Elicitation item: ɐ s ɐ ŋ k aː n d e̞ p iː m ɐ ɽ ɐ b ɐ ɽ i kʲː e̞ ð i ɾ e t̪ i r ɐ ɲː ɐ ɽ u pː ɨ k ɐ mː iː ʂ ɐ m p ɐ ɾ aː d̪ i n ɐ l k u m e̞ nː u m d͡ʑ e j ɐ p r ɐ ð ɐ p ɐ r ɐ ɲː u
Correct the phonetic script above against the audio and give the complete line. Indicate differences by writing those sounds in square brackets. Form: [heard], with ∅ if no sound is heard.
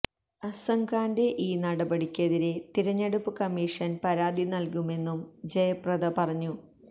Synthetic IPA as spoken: ɐ s ɐ ŋ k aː n d e̞ [ʔ] iː [n] ɐ ɽ ɐ b ɐ ɽ i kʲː e̞ ð i ɾ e t̪ i [ɾ] ɐ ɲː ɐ ɽ u pː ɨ k ɐ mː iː ʂ ɐ [n] p ɐ ɾ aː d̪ i n ɐ l k u m e̞ nː u m d͡ʑ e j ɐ p r ɐ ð ɐ p ɐ r ɐ ɲː u